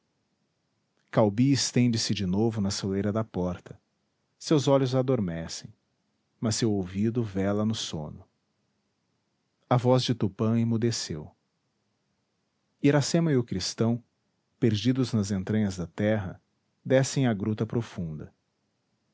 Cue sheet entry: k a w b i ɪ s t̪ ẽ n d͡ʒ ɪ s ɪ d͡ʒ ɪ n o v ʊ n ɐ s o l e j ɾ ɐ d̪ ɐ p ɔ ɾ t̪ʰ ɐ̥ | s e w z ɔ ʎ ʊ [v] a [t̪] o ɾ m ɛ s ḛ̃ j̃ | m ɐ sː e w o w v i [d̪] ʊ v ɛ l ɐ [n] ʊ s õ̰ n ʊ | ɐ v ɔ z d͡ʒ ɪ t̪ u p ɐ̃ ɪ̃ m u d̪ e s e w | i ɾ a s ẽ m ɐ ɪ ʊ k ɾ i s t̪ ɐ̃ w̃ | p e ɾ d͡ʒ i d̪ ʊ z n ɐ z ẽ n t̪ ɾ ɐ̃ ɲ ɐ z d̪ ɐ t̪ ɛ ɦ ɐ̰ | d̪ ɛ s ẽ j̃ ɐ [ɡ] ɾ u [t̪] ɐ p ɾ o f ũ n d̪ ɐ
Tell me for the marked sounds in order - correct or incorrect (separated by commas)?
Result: incorrect, incorrect, correct, correct, correct, correct